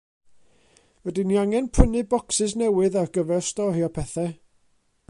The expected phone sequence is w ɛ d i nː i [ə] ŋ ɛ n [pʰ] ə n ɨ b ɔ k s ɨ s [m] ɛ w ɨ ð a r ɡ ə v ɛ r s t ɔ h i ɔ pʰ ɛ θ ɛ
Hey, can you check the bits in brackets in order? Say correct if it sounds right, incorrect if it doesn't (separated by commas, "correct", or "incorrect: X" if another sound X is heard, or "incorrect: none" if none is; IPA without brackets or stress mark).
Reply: incorrect: a, correct, incorrect: n